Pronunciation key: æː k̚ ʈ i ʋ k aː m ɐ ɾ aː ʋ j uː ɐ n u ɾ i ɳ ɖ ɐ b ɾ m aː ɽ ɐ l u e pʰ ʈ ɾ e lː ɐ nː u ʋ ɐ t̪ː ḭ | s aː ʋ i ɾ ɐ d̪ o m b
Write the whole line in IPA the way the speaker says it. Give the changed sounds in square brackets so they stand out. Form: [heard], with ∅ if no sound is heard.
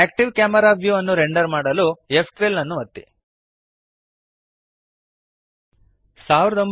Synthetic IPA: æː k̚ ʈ i ʋ k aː m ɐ ɾ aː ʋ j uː ɐ [nː] u ɾ [e] ɳ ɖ ɐ [∅] ɾ m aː ɽ ɐ l u e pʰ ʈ ɾ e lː ɐ nː u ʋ ɐ t̪ː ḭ | s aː ʋ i ɾ ɐ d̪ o m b